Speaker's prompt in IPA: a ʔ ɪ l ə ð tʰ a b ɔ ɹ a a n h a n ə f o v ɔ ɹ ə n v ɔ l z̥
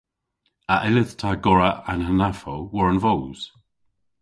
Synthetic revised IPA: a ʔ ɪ l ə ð tʰ a ɡ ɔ ɹ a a n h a n a f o w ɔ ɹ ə n v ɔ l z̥

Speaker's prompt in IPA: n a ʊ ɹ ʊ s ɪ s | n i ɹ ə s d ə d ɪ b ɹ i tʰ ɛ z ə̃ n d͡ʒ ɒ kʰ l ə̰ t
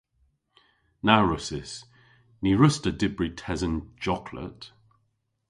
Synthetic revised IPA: n a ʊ ɹ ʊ s ɪ s | n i ɹ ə s t ə d ɪ b ɹ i tʰ ɛ z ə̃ n d͡ʒ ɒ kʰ l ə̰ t

